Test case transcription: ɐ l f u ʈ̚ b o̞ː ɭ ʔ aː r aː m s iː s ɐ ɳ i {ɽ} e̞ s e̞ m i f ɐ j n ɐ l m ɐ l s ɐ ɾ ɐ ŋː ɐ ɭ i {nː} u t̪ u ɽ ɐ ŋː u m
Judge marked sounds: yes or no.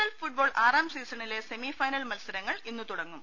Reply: no, yes

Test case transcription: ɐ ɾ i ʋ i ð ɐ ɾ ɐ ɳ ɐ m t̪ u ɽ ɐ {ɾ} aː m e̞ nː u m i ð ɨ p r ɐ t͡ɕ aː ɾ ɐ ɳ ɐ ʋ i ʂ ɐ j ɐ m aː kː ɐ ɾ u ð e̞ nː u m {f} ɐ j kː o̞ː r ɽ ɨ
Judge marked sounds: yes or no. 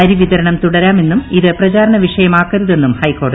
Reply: yes, no

